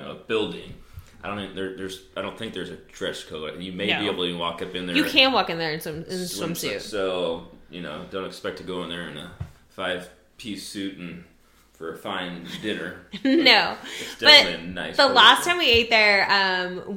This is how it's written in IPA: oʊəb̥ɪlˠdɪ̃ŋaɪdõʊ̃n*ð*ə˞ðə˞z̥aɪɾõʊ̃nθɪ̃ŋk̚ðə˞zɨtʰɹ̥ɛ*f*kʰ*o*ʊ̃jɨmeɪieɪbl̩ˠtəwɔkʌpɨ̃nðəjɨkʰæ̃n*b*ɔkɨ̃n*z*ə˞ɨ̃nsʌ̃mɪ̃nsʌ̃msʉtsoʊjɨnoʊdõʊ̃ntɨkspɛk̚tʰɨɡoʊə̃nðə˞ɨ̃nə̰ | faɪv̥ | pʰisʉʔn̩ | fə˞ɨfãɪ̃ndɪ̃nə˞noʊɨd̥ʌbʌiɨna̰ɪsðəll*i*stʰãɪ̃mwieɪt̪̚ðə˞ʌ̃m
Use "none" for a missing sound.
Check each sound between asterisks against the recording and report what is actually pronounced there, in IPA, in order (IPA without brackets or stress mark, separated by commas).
ð, ʃ, o, w, ð, æ